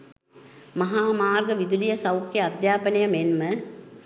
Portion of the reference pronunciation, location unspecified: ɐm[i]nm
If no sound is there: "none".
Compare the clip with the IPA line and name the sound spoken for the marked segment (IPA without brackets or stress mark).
e